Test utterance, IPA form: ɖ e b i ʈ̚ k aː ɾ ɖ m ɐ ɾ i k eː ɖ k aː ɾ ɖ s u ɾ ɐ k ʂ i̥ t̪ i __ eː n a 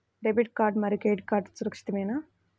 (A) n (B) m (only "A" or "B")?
B